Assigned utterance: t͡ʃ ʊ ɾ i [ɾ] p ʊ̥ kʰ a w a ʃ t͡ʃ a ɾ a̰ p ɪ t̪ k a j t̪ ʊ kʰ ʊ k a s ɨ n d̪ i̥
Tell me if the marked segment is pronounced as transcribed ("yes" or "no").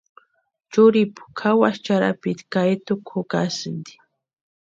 no